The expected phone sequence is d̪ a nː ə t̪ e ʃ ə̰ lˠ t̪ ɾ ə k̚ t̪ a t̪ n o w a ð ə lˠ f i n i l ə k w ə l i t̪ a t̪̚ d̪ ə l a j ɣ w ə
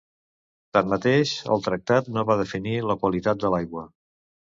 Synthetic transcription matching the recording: t̪ a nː ə t̪ e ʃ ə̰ lˠ t̪ ɾ ə k̚ t̪ a t̪ n o β a ð ə f i n i l ə k w ə l i t̪ a t̪̚ d̪ ə l a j ɣ w ə